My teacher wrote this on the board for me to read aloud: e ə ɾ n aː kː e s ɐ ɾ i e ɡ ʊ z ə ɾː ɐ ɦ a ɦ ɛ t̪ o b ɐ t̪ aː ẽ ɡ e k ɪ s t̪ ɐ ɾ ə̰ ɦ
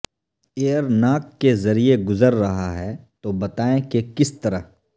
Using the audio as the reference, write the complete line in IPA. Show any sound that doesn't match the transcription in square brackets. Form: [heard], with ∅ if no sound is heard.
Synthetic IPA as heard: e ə ɾ n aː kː e [z] ɐ ɾ i e ɡ ʊ z ə ɾː ɐ ɦ a ɦ ɛ t̪ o b ɐ t̪ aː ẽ [k] e k ɪ s t̪ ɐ ɾ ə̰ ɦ